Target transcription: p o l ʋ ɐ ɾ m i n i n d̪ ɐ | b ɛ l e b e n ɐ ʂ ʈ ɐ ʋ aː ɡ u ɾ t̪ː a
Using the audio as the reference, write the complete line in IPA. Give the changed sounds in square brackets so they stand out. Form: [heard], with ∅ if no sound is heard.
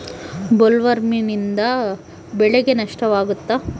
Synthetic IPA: [b] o l ʋ ɐ ɾ m i n i n d̪ ɐ | b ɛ [ɭ] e [ɡ] e n ɐ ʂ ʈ ɐ ʋ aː ɡ u [∅] t̪ː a